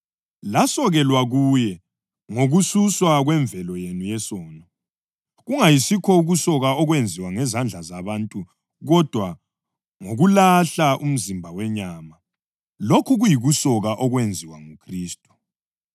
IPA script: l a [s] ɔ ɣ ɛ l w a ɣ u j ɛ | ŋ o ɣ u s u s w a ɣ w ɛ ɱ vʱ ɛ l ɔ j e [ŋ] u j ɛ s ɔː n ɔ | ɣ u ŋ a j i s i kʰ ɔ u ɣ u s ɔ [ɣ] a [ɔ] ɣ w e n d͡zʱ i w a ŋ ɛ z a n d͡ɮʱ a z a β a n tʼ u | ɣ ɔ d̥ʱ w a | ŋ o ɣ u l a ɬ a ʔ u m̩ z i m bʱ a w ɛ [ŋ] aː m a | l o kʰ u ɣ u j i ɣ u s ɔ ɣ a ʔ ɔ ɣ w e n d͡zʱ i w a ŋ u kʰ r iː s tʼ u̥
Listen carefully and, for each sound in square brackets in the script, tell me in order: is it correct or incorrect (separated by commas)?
correct, incorrect, correct, correct, incorrect